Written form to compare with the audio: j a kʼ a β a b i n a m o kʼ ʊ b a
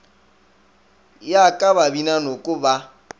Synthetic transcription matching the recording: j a kʼ a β a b i n a n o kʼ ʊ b a